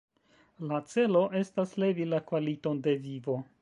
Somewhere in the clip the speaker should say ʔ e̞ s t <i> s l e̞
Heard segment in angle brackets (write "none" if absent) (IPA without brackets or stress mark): a